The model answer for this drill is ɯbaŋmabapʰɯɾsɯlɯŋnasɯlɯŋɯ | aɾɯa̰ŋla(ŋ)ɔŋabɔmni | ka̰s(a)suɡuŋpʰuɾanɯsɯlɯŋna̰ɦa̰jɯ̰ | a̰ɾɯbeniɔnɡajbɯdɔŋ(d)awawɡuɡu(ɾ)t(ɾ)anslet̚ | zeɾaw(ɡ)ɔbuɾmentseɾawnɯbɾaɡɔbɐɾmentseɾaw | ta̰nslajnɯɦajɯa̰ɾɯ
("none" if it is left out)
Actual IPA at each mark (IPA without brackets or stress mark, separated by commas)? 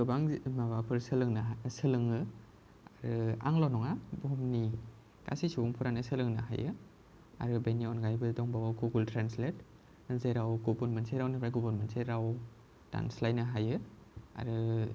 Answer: n, i, b, l, ɾ, ɡ